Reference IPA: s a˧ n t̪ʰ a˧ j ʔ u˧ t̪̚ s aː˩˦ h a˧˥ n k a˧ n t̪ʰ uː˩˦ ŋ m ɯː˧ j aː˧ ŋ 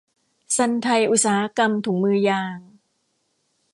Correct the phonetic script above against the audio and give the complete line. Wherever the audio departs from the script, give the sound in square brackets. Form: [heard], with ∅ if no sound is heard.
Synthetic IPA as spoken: s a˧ n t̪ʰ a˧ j ʔ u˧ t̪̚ s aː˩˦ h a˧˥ [∅] k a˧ [m] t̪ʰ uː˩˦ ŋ m ɯː˧ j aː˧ ŋ

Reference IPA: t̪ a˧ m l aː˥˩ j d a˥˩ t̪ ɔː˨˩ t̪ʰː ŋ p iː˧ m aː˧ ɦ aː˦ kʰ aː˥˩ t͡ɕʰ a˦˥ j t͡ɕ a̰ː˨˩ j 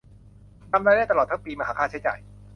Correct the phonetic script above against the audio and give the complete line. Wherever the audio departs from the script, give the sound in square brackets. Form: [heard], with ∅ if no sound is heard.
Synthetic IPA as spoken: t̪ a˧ m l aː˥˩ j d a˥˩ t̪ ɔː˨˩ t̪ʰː ŋ p iː˧ m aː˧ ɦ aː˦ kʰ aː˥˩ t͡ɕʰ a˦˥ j t͡ɕ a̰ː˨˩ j

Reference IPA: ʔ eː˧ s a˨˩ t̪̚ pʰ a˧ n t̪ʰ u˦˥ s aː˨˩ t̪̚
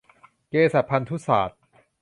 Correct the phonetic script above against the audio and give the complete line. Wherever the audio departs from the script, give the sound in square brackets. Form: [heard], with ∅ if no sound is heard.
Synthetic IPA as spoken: [k] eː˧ s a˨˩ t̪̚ pʰ a˧ n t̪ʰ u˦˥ s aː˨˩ t̪̚

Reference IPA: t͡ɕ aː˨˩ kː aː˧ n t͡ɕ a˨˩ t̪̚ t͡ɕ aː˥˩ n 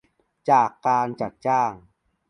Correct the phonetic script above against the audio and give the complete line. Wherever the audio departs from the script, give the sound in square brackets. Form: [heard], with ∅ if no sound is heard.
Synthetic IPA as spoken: t͡ɕ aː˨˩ kː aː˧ n t͡ɕ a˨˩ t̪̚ t͡ɕ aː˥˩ [ŋ]

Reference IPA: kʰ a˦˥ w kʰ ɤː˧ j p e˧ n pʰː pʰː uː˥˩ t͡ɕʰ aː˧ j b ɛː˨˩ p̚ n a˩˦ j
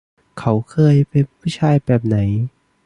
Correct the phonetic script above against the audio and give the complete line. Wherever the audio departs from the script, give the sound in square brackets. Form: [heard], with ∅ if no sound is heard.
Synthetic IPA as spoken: kʰ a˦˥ w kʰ ɤː˧ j p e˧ n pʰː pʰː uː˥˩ t͡ɕʰ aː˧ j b ɛː˨˩ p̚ n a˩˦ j

